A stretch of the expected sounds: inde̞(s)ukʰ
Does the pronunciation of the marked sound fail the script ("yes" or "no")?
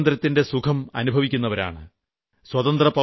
no